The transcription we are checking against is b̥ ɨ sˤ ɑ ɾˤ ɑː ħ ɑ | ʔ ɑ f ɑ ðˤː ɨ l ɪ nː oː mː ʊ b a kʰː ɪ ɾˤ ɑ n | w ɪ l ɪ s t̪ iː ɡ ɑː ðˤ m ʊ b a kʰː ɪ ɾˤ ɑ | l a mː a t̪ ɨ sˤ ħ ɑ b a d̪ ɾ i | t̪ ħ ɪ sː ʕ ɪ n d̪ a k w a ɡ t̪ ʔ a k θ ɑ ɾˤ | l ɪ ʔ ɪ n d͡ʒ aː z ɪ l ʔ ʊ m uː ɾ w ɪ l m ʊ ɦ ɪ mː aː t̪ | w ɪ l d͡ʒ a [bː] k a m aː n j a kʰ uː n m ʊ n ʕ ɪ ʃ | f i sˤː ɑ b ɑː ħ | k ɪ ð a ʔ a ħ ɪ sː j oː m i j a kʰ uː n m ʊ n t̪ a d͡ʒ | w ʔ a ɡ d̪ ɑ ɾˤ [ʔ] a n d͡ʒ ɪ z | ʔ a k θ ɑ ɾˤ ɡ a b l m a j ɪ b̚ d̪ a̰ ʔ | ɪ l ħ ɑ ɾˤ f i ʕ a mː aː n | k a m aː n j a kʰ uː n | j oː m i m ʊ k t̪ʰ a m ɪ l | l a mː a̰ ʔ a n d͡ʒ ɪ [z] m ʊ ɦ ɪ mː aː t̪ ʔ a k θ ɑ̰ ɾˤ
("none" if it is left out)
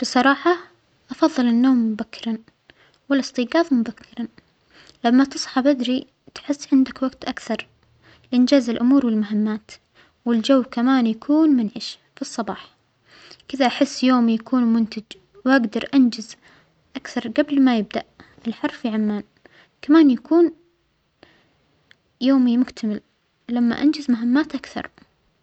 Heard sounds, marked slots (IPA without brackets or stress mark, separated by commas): wː, ʔ, z